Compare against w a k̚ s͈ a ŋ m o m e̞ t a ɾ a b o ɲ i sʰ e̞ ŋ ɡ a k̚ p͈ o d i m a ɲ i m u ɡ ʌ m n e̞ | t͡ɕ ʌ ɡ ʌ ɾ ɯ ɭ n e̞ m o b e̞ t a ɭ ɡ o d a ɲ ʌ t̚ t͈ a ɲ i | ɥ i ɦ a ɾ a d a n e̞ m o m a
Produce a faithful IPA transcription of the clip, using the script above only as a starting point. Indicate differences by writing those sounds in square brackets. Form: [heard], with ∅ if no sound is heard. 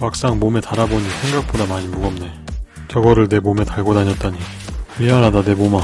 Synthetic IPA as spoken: w a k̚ s͈ a ŋ m o m e̞ t a ɾ a b o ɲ i sʰ e̞ ŋ ɡ a k̚ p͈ o d [a] m a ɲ i m u ɡ ʌ m n e̞ | t͡ɕ ʌ ɡ ʌ ɾ ɯ ɭ n e̞ m o [m] e̞ t a ɭ ɡ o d a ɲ ʌ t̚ t͈ a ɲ i | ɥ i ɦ a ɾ a d a n e̞ m o m a

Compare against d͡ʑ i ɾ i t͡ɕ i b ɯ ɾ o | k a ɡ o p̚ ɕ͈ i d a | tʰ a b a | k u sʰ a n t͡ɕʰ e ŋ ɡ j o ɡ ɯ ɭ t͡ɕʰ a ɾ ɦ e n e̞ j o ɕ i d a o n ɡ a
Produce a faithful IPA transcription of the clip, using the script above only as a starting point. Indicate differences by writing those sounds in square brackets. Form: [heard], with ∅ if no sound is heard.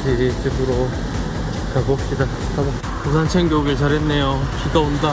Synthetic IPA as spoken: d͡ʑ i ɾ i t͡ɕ i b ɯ ɾ o | k a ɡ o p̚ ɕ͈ i d a | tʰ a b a | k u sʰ a n t͡ɕʰ e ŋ ɡ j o ɡ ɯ ɭ [t͡ɕ] a ɾ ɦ e [nː] e̞ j o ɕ i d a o n [d] a

